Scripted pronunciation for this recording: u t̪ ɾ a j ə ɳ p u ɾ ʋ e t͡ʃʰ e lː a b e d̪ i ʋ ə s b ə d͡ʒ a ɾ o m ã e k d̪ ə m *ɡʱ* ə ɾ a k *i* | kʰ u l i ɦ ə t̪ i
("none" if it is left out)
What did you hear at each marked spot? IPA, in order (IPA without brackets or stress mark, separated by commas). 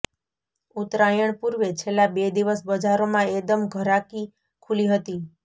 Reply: ɡʱ, i